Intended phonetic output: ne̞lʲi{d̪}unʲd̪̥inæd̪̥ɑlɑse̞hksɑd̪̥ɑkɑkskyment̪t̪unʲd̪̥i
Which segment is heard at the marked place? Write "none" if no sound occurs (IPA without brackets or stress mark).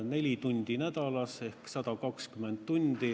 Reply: t̪